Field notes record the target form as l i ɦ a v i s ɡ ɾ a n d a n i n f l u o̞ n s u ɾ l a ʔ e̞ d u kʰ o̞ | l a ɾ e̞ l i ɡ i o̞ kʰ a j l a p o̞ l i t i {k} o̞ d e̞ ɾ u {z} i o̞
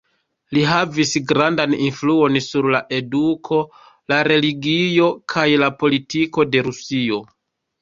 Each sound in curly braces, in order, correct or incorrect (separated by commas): correct, incorrect